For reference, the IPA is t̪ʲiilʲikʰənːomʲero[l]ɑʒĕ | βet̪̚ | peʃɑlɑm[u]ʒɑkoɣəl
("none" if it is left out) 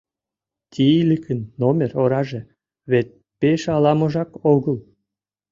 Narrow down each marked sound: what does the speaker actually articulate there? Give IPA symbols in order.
ɾ, o

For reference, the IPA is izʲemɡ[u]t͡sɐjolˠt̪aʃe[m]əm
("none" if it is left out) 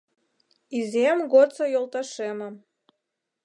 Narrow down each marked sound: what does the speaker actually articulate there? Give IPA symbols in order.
o, m

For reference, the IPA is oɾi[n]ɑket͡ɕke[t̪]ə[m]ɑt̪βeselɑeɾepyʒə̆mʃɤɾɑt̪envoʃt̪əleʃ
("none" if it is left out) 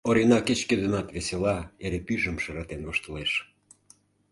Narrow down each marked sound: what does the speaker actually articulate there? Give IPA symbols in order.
n, d̪, n

